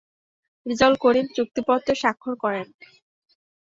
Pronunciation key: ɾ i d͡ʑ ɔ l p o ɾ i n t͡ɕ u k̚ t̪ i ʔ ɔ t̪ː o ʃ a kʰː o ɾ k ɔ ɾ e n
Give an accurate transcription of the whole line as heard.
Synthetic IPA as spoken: ɾ i d͡ʑ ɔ l k o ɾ i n t͡ɕ u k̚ t̪ i p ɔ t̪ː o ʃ a kʰː o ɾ k ɔ ɾ e n

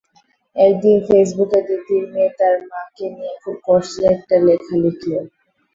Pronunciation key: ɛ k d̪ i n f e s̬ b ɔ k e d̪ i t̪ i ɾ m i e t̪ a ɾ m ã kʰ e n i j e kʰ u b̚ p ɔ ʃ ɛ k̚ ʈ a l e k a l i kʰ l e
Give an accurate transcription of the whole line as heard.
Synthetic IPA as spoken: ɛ k d̪ i n f e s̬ b u k e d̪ i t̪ i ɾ m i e t̪ a ɾ m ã k e n i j e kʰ u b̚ k ɔ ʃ ɛ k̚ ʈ a l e kʰ a l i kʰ l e

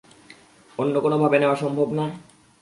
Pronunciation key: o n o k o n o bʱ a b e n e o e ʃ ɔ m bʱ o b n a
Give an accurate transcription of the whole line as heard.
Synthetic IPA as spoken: o nː o k o n o bʱ a b e n e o a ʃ ɔ m bʱ o b n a

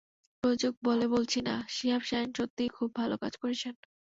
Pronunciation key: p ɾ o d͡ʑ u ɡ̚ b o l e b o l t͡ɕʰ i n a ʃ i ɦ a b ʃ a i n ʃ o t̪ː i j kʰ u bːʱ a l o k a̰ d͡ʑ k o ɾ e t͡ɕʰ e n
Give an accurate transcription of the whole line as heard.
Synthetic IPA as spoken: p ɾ o d͡ʑ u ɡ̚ b o l e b o l t͡ɕʰ i n a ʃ i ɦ a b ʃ a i n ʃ o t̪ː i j kʰ u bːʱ a l o k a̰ d͡ʑ k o ɾ e t͡ɕʰ e n

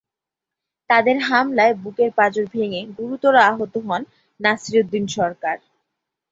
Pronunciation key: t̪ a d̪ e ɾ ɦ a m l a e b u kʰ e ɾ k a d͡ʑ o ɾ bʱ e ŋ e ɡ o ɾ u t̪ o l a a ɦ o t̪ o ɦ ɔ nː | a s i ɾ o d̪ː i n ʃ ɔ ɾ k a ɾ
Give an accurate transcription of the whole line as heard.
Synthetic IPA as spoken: t̪ a d̪ e ɾ ɦ a m l a e b u k e ɾ p a d͡ʑ o ɾ bʱ e ŋ e ɡ u ɾ u t̪ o ɾ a a ɦ o t̪ o ɦ ɔ nː | a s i ɾ o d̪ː i n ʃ ɔ ɾ k a ɾ

